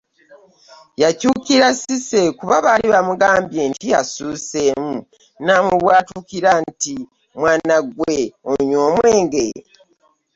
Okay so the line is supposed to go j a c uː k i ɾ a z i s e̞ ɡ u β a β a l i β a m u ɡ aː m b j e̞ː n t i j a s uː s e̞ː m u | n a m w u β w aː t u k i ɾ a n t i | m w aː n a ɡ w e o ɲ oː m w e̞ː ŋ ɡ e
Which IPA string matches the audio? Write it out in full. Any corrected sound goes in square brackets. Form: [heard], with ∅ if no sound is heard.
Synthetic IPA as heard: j a c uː k i ɾ a [s] i s e̞ [k] u β a β a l i β a m u ɡ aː m b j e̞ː n t i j a s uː s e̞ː m u | n a m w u β w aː t u k i ɾ a n t i | m w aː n a ɡ w e o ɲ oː m w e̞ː ŋ ɡ e